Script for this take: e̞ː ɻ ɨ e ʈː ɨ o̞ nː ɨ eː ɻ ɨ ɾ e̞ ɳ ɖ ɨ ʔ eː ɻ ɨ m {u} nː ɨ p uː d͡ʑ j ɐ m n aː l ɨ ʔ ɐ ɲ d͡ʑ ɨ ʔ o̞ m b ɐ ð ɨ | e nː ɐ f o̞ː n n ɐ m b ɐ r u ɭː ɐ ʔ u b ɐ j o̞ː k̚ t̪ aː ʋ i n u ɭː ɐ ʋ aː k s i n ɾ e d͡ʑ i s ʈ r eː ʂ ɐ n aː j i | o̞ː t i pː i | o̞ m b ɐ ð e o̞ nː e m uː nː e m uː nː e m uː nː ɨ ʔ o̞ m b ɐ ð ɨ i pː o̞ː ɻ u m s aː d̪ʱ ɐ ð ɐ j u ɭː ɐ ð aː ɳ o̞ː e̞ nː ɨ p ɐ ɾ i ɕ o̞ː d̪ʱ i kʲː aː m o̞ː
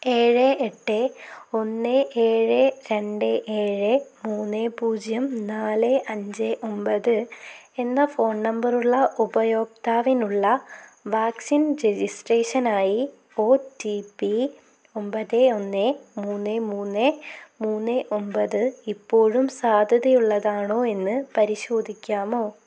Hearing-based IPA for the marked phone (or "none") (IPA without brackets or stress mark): uː